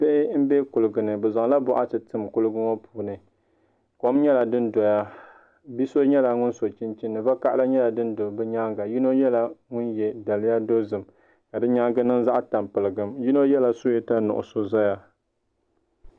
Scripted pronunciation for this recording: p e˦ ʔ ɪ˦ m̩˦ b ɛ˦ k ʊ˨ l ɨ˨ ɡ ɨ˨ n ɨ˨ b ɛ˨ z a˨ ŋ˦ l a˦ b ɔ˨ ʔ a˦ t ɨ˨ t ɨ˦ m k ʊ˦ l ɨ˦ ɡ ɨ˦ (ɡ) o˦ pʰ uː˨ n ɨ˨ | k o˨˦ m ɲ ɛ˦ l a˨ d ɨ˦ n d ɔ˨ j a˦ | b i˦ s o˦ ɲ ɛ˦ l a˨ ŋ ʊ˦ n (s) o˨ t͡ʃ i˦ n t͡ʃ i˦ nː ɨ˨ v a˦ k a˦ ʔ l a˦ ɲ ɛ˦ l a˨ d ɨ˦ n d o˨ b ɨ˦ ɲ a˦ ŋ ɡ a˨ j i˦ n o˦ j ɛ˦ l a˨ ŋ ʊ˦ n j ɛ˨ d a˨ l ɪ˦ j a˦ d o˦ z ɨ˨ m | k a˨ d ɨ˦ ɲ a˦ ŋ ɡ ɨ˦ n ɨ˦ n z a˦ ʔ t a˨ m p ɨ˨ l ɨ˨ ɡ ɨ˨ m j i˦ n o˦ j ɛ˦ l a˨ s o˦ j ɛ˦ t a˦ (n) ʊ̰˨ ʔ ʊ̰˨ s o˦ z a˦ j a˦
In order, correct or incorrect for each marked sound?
incorrect: ŋ, correct, correct

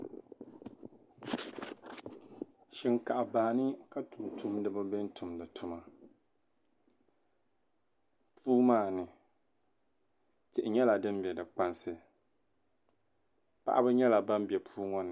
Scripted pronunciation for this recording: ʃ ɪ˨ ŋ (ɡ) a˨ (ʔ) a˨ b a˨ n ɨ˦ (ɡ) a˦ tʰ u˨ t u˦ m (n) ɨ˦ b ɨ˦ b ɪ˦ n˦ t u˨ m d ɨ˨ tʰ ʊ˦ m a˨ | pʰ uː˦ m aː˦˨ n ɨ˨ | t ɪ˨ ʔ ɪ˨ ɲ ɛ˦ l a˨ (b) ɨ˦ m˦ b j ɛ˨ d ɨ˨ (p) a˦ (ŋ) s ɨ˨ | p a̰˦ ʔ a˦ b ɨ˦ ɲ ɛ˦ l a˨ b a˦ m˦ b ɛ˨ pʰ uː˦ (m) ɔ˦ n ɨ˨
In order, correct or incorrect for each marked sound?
incorrect: k, correct, incorrect: k, incorrect: d, incorrect: d, incorrect: k͡p, incorrect: n, incorrect: ŋ

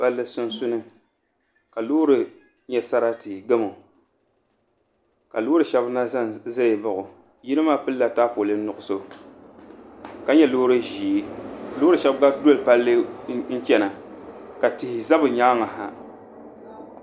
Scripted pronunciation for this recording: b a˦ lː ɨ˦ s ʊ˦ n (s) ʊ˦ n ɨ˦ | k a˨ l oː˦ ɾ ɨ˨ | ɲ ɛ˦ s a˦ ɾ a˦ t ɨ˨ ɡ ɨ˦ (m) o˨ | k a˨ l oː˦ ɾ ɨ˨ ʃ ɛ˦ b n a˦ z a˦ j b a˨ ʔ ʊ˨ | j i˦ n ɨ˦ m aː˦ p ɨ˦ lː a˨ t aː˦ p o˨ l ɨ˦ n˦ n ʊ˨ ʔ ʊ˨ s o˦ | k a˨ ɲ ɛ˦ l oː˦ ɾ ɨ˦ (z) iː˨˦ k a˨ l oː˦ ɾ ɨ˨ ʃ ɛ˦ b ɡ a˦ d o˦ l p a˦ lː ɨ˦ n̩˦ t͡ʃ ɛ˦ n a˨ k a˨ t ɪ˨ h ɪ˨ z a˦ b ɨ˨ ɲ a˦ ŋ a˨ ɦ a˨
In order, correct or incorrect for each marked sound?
correct, correct, incorrect: ʒ

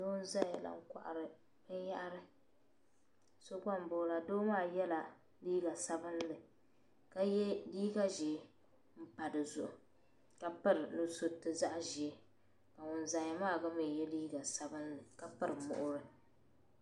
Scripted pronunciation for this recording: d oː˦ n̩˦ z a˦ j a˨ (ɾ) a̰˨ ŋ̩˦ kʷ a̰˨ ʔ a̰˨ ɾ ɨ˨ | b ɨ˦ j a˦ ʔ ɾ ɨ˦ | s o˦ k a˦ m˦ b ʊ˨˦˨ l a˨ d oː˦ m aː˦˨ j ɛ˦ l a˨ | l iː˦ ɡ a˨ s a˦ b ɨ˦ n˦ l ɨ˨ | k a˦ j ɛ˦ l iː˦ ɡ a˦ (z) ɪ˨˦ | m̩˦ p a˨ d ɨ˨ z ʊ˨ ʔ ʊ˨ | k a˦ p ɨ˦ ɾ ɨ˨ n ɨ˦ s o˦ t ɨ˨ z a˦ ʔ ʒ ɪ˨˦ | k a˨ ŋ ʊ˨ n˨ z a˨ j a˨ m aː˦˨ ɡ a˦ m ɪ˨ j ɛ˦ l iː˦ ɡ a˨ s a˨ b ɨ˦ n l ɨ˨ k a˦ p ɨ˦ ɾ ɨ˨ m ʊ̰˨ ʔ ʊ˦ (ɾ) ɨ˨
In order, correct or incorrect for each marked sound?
incorrect: l, incorrect: ʒ, correct

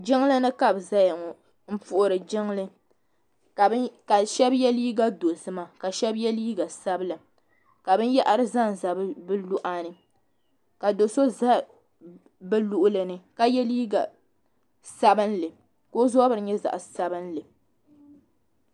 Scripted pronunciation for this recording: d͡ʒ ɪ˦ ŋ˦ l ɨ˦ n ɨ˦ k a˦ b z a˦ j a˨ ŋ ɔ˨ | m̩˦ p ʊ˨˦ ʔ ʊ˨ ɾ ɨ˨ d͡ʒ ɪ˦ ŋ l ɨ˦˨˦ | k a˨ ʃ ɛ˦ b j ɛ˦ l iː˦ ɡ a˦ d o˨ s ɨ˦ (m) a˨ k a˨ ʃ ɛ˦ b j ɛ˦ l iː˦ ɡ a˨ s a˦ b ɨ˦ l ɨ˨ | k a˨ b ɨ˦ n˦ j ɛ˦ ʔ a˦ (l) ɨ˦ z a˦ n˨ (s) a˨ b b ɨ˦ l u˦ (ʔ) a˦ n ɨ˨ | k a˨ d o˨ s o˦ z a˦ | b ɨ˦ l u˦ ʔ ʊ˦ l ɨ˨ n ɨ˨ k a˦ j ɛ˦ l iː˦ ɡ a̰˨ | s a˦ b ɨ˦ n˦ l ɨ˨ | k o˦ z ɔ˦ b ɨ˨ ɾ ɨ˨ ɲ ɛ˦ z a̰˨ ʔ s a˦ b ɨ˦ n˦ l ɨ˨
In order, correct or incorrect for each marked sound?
correct, incorrect: ɾ, incorrect: z, correct

